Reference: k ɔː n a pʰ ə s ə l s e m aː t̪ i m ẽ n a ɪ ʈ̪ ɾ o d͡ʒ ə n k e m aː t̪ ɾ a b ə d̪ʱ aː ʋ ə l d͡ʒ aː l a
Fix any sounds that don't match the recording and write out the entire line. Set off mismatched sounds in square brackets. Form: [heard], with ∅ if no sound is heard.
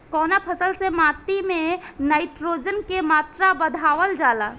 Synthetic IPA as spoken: k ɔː n a pʰ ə s ə l s e m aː t̪ i m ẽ n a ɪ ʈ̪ ɾ o d͡ʒ ə n k e m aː t̪ ɾ a b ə d̪ʱ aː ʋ ə l d͡ʒ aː l a